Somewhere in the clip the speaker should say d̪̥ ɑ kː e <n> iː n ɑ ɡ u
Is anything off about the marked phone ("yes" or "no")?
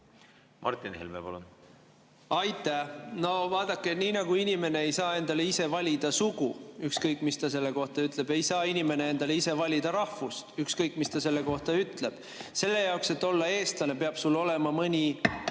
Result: no